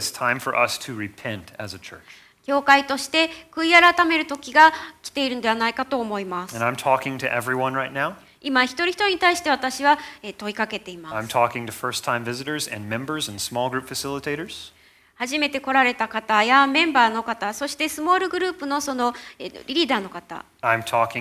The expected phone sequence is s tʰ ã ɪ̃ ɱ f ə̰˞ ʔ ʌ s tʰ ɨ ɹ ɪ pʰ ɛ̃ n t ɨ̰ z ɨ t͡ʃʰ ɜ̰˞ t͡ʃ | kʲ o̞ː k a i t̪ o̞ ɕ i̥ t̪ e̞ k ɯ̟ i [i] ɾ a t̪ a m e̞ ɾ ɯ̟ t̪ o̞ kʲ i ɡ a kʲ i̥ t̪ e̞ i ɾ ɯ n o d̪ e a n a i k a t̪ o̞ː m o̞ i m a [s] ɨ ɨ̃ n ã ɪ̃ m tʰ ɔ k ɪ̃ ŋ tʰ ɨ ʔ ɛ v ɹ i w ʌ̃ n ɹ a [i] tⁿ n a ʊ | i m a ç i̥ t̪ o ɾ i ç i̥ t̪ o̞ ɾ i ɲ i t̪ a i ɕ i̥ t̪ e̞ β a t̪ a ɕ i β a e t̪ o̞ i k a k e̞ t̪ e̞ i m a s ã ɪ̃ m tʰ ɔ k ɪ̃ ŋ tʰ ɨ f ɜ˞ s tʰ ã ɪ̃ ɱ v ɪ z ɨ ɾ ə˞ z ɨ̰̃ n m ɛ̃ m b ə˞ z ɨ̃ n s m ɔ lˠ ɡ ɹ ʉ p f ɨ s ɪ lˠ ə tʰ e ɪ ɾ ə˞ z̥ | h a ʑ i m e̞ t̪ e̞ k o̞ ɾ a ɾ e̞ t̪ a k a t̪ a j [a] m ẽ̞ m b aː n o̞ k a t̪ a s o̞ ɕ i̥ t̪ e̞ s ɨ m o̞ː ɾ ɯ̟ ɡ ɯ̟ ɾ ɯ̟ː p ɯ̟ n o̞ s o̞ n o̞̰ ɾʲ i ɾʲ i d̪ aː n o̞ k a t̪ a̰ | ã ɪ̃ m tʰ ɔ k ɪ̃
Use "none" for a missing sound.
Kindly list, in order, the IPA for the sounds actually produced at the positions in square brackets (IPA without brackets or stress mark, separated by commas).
a, s, ɪ, a